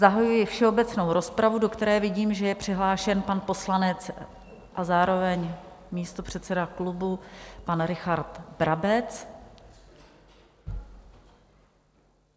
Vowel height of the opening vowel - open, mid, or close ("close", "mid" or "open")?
open